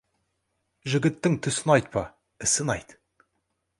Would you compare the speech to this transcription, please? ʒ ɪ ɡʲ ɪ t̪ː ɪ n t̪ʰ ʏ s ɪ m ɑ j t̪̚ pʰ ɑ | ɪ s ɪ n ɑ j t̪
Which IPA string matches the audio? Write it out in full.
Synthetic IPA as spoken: ʒ ɪ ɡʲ ɪ t̪ː ɪ ŋ t̪ʰ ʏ s ɪ n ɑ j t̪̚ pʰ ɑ | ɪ s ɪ n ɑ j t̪